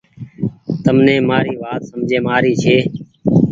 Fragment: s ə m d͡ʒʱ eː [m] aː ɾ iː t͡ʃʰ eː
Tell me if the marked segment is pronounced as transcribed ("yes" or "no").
yes